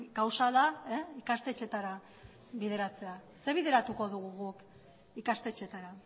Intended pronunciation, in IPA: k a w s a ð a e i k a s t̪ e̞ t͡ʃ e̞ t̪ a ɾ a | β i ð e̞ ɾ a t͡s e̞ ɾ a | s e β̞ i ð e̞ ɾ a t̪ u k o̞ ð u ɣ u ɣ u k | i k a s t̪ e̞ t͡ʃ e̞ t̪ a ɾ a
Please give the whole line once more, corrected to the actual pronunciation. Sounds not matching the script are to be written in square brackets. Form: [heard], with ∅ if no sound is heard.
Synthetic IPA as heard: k a w s a ð a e i k a s t̪ e̞ t͡ʃ e̞ t̪ a ɾ a | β i ð e̞ ɾ a t͡s e̞ [∅] a | s e β̞ i ð e̞ ɾ a t̪ u k o̞ ð u ɣ u ɣ u k | i k a s t̪ e̞ t͡ʃ e̞ t̪ a ɾ a